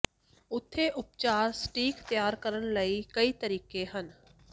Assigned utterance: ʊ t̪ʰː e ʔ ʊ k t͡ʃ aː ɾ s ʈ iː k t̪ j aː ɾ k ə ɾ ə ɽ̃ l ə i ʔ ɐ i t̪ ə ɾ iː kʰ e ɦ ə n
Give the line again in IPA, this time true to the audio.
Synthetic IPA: ʊ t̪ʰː e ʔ ʊ p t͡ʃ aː ɾ s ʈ iː k t̪ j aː ɾ k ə ɾ ə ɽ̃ l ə i k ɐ i t̪ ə ɾ iː k e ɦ ə n